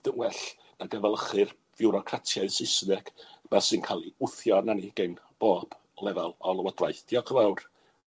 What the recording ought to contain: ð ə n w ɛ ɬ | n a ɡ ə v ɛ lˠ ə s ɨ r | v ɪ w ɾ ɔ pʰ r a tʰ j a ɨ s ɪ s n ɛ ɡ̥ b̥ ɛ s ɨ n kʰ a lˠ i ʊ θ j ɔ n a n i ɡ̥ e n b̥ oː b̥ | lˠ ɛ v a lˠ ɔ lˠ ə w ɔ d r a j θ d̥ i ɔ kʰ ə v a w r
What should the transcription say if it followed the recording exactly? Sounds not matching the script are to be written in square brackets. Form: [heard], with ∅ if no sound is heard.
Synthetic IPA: ð ə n w ɛ ɬ | n a ɡ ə v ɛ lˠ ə [χ] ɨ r | v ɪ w ɾ ɔ [kʰ] r a tʰ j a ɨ s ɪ s n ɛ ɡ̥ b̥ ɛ s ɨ n kʰ a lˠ i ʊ θ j ɔ n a n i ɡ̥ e n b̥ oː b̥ | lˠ ɛ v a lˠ ɔ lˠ ə w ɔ d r a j θ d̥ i ɔ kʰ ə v a w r